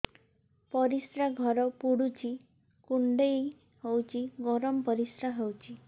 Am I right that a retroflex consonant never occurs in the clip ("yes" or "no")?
no